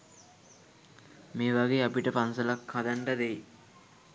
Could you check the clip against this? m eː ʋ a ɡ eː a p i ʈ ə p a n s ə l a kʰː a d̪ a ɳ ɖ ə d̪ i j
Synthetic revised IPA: m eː ʋ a ɡ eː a p i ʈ ə p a n s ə l a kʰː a d̪ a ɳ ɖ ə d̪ e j